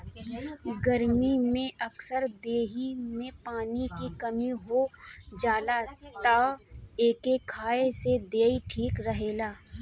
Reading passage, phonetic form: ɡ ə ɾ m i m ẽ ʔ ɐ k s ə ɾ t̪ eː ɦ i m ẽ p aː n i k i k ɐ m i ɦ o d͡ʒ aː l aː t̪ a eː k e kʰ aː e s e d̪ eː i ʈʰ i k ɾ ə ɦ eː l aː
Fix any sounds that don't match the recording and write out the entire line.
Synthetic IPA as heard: ɡ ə ɾ m i m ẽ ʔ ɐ k s ə ɾ d̪ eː ɦ i m ẽ p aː n i k i k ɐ m i ɦ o d͡ʒ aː l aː t̪ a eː k e kʰ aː e s e d̪ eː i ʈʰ iː k ɾ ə ɦ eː l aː